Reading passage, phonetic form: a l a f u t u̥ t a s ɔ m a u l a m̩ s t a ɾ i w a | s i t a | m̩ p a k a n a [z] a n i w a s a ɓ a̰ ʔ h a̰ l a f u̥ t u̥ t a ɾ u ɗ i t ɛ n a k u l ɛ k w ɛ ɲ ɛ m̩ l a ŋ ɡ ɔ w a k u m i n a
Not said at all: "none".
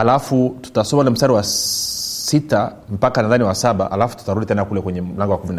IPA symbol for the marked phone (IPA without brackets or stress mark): ð